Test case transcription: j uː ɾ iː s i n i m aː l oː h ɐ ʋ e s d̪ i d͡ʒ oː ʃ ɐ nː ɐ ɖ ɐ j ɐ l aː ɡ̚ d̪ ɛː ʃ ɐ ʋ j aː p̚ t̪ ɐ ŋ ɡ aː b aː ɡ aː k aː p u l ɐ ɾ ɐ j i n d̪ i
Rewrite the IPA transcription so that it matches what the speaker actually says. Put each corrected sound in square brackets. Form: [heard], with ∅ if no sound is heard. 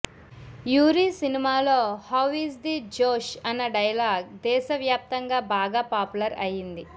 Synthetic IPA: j uː ɾ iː s i n i m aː l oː h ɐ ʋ [i] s d̪ i d͡ʒ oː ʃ ɐ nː ɐ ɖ ɐ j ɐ l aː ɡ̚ d̪ ɛː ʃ ɐ ʋ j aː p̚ t̪ ɐ ŋ ɡ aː b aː ɡ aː [p] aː p u l ɐ ɾ ɐ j i n d̪ i